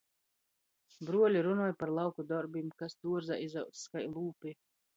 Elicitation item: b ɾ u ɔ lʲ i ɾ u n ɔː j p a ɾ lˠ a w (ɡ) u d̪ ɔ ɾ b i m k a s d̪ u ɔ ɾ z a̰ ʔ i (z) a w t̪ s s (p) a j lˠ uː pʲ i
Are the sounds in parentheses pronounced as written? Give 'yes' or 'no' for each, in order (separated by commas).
no, yes, no